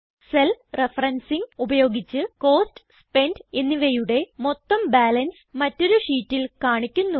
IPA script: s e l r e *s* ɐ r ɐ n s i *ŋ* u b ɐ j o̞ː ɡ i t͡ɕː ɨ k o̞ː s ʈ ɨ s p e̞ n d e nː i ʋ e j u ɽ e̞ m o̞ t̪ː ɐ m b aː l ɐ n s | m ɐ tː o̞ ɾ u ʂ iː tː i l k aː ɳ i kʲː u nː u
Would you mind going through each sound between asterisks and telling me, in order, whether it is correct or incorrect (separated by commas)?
incorrect, correct